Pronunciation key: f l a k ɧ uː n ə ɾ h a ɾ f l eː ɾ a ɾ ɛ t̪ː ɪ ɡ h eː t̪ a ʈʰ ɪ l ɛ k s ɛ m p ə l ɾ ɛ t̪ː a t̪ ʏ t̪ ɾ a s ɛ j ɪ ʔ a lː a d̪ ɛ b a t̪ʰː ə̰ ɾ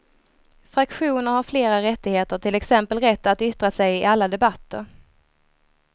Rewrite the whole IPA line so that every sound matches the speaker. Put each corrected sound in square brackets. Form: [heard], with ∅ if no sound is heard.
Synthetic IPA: f [ɾ] a k ɧ uː n ə ɾ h a ɾ f l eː ɾ a ɾ ɛ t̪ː ɪ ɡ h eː t̪ [ə] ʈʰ ɪ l ɛ k s ɛ m p ə l ɾ ɛ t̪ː a t̪ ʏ t̪ ɾ a s ɛ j ɪ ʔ a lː a d̪ ɛ b a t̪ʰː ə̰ ɾ